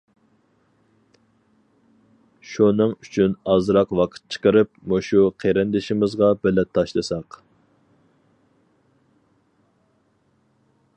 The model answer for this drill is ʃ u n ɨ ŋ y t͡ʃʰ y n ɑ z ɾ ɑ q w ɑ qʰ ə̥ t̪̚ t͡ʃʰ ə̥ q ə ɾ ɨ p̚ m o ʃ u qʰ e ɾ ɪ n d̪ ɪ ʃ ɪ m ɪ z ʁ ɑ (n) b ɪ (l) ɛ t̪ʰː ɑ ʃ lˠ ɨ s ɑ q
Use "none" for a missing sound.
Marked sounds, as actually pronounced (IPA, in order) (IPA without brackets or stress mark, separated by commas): none, l